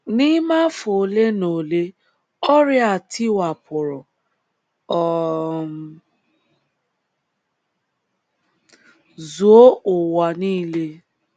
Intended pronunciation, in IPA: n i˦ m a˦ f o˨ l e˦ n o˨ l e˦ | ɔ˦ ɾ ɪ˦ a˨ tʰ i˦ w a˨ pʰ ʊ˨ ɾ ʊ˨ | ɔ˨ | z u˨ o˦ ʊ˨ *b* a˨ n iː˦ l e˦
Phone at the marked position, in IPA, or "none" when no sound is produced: w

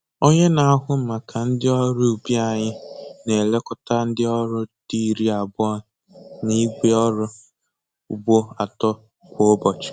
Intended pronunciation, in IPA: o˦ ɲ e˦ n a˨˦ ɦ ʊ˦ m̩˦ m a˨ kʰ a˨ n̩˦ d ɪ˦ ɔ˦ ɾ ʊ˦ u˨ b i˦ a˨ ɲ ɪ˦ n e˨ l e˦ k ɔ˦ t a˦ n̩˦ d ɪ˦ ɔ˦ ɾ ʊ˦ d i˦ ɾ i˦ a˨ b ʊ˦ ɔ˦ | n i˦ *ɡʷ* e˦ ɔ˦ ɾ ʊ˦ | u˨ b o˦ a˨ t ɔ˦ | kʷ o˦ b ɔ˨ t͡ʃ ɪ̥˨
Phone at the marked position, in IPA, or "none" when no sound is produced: ɡʷ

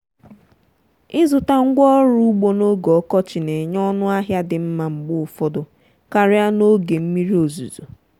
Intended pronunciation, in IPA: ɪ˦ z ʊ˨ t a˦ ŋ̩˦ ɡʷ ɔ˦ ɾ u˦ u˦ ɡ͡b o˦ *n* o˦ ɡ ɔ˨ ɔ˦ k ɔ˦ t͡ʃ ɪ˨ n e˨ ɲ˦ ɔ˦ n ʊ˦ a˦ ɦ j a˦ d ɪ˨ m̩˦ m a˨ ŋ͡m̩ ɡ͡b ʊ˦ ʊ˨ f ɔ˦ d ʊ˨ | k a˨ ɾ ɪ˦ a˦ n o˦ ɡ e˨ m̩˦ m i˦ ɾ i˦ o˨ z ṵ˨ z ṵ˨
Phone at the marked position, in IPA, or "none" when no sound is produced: n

